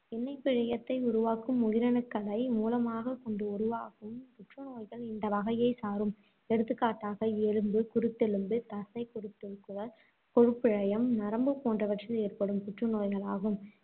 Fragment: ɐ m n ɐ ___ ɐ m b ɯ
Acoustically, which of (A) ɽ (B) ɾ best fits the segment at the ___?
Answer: B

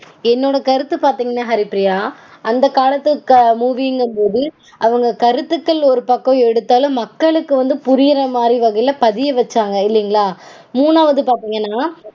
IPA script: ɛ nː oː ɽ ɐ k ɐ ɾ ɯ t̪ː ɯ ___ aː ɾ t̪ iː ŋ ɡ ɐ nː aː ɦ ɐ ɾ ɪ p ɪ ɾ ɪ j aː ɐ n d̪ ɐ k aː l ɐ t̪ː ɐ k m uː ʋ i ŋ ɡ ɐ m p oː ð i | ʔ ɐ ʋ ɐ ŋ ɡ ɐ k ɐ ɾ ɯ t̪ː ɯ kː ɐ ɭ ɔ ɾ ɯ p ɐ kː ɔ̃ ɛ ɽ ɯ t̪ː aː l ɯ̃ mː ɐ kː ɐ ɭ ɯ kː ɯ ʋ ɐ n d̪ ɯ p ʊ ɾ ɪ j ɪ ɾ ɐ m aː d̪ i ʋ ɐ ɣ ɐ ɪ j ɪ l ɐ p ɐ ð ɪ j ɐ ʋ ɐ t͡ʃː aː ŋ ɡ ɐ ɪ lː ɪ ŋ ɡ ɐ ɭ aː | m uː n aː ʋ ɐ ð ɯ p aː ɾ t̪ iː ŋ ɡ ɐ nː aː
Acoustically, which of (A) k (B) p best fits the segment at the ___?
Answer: B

